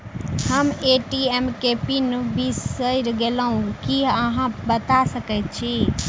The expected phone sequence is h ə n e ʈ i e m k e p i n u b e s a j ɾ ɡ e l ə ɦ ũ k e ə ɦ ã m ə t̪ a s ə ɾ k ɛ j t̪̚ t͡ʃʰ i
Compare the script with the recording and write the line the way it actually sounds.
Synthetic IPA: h ə m e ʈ i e m k e p i n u b i s ə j ɾ ɡ e l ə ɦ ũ k i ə ɦ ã b ə t̪ a s ə k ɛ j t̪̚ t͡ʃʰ i